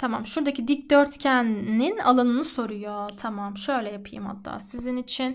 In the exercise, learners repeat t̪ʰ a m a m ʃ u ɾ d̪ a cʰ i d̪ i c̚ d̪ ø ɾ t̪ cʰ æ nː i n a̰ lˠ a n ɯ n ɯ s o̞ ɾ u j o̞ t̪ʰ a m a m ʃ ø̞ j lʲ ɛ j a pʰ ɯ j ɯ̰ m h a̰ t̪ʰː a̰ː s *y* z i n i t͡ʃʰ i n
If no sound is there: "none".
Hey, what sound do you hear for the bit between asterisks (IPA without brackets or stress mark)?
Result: i